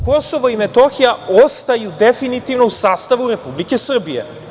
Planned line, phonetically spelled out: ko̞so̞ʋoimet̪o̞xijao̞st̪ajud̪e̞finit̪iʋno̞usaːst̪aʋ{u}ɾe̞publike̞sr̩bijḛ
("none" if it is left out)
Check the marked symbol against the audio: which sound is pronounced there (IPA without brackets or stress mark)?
u